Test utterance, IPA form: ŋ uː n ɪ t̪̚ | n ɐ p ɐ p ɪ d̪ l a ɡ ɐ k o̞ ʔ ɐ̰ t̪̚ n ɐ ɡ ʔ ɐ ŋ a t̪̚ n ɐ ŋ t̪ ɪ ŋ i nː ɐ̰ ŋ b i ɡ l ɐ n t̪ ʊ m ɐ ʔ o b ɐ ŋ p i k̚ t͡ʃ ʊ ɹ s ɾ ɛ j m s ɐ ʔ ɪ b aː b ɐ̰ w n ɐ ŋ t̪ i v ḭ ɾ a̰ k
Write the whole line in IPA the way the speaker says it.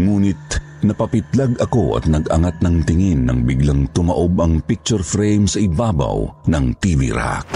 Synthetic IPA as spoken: ŋ uː n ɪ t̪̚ | n ɐ p ɐ p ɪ t̪ l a ɡ ɐ k o̞ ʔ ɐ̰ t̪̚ n ɐ ɡ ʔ ɐ ŋ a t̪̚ n ɐ ŋ t̪ ɪ ŋ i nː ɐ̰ ŋ b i ɡ l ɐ ŋ t̪ ʊ m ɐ ʔ o b ɐ ŋ p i k̚ t͡ʃ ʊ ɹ f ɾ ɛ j m s ɐ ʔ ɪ b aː b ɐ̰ w n ɐ ŋ t̪ i v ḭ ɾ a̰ k